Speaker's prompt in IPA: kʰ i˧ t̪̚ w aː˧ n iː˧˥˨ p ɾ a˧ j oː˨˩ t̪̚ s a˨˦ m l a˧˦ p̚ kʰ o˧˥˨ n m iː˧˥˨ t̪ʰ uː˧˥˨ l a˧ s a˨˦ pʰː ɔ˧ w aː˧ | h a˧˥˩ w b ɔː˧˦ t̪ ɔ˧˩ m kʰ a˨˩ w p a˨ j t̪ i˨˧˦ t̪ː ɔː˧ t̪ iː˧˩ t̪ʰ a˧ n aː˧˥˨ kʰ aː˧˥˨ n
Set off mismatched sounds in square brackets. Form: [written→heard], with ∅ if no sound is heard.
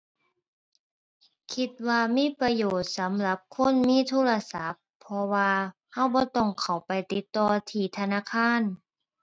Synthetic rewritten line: kʰ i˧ t̪̚ w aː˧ [n→m] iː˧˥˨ p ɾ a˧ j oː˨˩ t̪̚ s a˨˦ m l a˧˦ p̚ kʰ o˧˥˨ n m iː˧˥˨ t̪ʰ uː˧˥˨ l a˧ s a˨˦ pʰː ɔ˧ w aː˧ | h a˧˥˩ w b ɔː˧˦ t̪ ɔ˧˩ [m→ŋ] kʰ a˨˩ w p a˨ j t̪ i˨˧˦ t̪ː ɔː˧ [t̪→t̪ʰ] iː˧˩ t̪ʰ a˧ n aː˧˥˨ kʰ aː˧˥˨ n